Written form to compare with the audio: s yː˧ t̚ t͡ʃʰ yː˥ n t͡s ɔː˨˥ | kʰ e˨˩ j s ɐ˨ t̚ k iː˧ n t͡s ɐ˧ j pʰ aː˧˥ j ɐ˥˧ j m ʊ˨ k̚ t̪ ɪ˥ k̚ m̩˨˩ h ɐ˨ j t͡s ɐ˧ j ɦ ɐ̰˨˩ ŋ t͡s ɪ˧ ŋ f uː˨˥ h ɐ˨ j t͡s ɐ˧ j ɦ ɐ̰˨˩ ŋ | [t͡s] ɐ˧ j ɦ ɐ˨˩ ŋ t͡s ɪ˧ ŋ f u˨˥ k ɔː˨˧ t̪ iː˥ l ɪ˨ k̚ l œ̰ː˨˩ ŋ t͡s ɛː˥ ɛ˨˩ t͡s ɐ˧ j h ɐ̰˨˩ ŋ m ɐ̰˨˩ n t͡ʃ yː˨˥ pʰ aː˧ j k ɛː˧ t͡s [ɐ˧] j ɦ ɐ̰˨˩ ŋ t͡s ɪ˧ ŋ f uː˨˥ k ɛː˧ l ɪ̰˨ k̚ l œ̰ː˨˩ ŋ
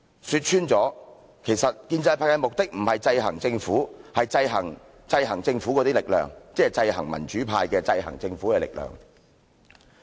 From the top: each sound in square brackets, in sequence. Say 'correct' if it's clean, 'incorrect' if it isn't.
correct, correct

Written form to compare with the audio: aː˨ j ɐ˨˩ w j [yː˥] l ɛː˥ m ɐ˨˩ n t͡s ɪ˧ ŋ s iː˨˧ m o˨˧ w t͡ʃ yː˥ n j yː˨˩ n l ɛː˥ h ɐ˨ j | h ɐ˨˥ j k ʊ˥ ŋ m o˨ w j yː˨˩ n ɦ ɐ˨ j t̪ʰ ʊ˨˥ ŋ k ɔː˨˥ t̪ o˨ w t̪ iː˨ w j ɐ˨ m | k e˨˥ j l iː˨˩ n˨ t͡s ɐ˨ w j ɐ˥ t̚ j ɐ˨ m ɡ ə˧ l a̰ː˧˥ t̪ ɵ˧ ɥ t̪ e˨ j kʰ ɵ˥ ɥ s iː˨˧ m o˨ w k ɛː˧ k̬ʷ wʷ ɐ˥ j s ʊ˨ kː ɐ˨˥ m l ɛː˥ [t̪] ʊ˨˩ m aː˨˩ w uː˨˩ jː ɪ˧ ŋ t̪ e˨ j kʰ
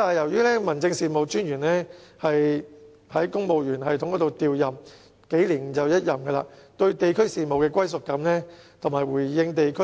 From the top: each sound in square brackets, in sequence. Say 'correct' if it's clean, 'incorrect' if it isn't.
correct, incorrect: t̪ʰ

